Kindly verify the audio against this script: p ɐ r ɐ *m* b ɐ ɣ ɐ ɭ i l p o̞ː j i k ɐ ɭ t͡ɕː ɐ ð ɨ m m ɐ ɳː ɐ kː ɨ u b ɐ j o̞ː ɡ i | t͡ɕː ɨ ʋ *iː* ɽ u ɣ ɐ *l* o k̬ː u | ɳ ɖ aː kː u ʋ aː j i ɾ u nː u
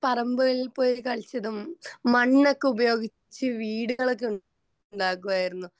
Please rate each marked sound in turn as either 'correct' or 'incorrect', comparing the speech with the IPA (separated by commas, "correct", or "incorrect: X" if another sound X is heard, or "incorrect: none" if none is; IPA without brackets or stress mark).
correct, correct, incorrect: ɭ